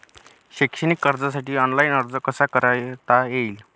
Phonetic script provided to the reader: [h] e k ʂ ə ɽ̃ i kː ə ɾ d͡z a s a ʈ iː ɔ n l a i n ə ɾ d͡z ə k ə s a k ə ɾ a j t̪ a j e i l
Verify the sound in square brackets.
incorrect: ɕ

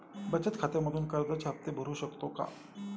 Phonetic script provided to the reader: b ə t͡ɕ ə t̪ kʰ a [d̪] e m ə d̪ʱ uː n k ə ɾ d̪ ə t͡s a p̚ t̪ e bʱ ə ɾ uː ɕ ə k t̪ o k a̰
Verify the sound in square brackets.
incorrect: t̪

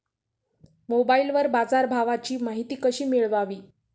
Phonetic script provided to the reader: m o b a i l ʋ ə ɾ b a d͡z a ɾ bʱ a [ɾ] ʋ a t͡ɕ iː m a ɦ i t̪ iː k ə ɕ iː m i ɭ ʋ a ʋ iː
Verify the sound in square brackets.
incorrect: none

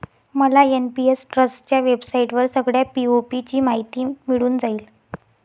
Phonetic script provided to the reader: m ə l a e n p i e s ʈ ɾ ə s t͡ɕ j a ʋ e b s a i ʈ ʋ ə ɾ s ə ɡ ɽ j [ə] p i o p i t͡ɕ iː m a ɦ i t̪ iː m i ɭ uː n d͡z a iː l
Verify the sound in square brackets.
incorrect: a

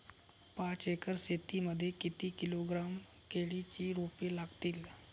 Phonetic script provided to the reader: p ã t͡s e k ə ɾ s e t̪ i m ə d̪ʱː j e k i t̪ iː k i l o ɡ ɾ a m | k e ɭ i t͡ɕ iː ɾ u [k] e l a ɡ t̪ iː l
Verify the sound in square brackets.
incorrect: p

